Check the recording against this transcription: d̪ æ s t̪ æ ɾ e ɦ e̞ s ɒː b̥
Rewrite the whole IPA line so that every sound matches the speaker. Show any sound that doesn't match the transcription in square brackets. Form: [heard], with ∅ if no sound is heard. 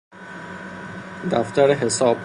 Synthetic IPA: d̪ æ [f] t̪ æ ɾ e ɦ e̞ s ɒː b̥